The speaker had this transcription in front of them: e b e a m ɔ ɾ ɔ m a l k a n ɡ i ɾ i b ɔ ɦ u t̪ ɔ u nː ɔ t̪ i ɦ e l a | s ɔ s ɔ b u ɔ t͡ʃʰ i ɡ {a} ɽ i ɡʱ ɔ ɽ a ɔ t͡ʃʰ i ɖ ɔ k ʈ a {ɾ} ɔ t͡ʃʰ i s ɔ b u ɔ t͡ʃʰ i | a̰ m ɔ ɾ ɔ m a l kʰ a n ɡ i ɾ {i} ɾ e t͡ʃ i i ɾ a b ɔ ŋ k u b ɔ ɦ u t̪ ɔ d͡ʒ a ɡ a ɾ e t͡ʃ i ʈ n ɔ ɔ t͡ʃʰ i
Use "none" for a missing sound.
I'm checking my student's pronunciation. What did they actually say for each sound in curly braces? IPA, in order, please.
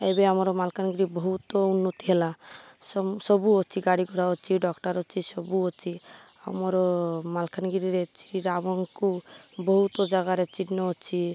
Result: a, ɾ, i

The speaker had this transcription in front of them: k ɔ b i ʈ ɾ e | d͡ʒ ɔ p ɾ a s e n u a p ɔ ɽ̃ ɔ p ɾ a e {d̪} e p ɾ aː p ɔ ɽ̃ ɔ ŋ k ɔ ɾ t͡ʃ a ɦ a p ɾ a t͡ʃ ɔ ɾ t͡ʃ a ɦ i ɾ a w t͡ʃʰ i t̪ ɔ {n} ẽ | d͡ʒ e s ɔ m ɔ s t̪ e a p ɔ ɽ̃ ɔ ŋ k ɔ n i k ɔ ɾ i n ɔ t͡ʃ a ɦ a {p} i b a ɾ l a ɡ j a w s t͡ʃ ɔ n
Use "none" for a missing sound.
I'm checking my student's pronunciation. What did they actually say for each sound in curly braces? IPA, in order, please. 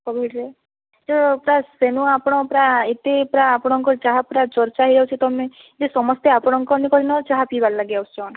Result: t̪, m, p

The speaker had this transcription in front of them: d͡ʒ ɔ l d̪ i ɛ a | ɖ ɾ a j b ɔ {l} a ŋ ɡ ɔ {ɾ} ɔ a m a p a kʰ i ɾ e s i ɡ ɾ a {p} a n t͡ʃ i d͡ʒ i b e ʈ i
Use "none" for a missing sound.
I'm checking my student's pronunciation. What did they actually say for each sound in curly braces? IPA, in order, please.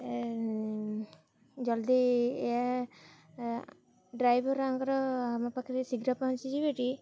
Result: ɾ, ɾ, p

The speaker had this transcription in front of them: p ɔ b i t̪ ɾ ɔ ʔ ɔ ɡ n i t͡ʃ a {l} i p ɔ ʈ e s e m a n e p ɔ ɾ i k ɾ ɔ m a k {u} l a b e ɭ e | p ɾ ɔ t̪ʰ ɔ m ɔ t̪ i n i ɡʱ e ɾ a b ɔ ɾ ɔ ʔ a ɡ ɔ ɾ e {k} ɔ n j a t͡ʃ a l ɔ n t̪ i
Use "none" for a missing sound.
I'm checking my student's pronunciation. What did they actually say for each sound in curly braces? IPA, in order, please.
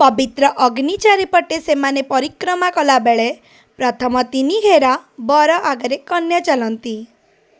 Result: ɾ, ɔ, k

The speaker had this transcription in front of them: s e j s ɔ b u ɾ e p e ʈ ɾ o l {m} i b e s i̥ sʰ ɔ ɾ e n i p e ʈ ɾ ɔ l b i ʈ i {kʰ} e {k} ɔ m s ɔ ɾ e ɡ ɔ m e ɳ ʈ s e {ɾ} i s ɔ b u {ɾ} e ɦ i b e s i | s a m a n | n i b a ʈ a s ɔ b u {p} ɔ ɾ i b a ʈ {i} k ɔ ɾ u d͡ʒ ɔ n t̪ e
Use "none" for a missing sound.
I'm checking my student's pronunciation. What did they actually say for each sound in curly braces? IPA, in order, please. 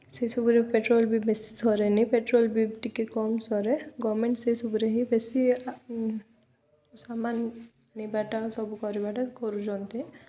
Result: b, k, k, none, ɾ, k, a

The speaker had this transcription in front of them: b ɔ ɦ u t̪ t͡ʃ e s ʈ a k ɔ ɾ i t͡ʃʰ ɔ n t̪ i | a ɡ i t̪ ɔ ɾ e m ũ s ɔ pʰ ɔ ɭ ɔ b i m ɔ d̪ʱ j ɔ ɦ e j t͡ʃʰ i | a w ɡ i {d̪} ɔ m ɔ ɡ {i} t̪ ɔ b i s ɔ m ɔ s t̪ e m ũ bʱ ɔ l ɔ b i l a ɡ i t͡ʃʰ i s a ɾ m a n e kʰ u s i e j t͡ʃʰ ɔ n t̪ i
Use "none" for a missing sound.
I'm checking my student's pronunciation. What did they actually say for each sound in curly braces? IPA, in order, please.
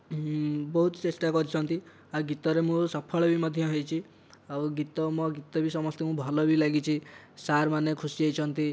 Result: t̪, i

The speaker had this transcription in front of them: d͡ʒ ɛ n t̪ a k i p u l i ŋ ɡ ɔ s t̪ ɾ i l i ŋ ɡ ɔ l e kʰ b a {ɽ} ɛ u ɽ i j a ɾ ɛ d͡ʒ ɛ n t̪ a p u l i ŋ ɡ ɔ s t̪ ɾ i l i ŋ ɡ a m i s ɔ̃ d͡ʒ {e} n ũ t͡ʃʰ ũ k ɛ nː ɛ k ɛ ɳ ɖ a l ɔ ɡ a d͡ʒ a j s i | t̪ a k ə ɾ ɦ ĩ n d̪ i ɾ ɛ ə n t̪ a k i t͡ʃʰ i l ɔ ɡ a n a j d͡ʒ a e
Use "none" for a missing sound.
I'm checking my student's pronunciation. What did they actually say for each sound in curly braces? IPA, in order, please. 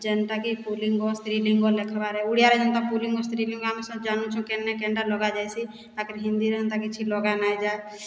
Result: ɾ, a

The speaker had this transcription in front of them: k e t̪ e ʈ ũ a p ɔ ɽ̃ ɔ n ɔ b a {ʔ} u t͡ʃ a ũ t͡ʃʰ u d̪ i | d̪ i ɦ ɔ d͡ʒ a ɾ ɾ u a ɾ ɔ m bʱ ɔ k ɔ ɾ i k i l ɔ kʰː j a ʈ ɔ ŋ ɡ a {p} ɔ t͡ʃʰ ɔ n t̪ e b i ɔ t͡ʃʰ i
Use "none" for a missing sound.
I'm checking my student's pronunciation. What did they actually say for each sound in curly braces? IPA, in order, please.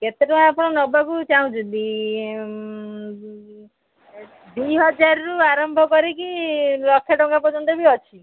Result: k, p

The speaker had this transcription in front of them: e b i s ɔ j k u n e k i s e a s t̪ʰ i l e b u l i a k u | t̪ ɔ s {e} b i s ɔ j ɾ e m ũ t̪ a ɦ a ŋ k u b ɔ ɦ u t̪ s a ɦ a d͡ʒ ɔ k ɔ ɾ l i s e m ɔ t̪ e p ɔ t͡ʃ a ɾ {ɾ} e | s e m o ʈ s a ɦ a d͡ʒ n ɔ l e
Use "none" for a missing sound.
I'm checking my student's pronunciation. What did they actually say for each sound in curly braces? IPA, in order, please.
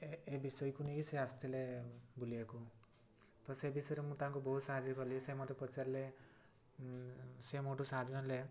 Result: e, l

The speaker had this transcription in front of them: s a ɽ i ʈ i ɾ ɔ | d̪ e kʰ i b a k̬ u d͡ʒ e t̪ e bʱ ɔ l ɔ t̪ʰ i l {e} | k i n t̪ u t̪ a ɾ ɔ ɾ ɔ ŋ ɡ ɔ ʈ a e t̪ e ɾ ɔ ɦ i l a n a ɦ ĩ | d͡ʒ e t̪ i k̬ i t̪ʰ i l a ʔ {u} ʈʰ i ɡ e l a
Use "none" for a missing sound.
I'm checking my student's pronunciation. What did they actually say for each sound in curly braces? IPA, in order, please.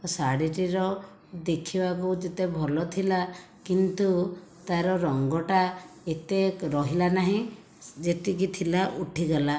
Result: a, u

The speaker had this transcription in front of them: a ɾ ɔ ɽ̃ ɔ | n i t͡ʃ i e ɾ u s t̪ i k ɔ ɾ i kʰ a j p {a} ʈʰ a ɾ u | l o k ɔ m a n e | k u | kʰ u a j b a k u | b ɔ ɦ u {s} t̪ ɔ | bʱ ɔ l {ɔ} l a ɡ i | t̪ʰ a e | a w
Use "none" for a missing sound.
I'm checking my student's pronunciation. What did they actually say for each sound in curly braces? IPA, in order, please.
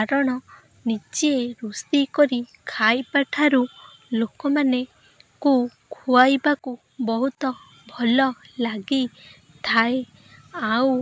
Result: a, none, ɔ

